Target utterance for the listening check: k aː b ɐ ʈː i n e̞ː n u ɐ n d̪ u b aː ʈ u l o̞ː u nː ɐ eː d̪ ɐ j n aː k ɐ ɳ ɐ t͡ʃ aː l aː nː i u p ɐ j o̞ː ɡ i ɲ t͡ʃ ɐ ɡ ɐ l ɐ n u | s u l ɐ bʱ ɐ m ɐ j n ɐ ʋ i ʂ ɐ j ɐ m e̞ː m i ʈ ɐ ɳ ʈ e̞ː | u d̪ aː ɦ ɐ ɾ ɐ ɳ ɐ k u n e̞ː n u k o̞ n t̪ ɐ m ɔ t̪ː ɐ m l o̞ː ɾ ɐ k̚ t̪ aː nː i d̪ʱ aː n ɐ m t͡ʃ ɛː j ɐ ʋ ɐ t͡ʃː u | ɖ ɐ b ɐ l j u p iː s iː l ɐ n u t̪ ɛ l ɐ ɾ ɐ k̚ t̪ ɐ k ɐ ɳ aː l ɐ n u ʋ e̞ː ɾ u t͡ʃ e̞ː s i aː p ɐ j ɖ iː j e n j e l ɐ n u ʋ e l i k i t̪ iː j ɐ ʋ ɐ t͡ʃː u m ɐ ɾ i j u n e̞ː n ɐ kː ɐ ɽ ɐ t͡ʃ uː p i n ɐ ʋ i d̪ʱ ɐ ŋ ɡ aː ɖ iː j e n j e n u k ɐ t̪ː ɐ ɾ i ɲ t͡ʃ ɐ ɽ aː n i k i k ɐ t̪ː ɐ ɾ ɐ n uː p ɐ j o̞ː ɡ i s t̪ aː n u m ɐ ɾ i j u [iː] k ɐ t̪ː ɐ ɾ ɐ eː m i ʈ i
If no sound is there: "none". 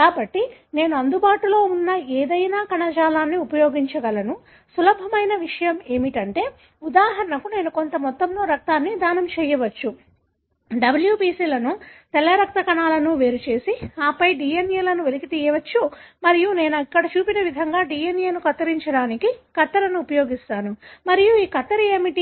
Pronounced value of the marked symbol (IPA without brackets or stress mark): iː